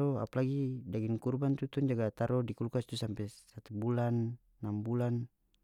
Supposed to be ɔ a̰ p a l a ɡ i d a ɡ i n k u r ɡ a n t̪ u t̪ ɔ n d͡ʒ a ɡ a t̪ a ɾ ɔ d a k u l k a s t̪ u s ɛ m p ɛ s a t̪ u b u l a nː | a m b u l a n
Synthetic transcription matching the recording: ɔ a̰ p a l a ɡ i d a ɡ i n k u r b a n t̪ u t̪ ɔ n d͡ʒ a ɡ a t̪ a ɾ ɔ d i k u l k a s t̪ u s a m p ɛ s a t̪ u b u l a nː | a m b u l a n